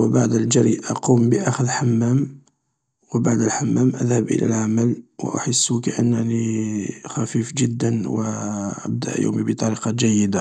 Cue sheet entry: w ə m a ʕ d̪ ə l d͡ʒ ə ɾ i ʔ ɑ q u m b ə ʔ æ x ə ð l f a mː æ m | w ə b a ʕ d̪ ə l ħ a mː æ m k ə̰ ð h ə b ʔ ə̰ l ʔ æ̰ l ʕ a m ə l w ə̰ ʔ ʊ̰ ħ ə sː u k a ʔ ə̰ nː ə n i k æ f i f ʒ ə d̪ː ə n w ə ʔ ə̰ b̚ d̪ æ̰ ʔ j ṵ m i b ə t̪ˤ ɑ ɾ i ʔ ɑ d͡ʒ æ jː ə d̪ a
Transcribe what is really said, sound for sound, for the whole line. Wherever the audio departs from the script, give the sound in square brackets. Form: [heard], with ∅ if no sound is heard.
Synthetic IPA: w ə [b] a ʕ d̪ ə l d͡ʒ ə ɾ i ʔ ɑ q u m b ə ʔ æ x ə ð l [ħ] a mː æ m | w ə b a ʕ d̪ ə l ħ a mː æ m [ʔ] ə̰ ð h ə b ʔ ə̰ l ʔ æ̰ l ʕ a m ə l w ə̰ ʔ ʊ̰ ħ ə sː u k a ʔ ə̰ nː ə n i [x] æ f i f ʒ ə d̪ː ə n w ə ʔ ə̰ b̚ d̪ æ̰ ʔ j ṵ m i b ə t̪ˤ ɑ ɾ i [q] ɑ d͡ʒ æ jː ə d̪ a